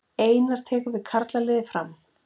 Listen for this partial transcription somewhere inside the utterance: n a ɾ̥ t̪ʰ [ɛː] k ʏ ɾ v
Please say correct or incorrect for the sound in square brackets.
correct